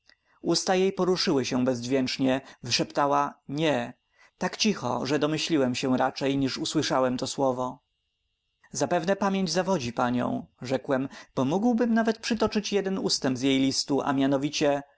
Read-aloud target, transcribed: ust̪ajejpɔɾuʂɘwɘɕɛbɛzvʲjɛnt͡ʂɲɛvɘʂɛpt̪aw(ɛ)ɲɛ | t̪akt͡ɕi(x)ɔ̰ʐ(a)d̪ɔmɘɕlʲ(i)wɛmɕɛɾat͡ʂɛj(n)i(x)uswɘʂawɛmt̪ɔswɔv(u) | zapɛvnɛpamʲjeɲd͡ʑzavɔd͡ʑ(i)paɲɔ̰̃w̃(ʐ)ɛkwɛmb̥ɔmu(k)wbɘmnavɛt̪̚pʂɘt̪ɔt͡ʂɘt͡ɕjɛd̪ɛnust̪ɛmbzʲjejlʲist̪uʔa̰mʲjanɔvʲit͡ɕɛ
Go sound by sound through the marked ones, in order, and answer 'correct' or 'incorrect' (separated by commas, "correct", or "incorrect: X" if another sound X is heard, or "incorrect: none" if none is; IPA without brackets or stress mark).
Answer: incorrect: a, correct, incorrect: ɛ, correct, incorrect: ɲ, incorrect: ʂ, incorrect: ɔ, correct, correct, incorrect: ɡ